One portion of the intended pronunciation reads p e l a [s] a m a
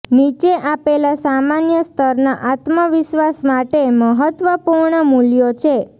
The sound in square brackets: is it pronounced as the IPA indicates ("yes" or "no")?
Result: yes